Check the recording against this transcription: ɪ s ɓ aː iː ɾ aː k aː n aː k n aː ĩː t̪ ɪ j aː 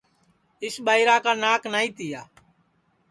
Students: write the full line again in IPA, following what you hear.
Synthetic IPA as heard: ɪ s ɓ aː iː ɾ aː k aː n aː k n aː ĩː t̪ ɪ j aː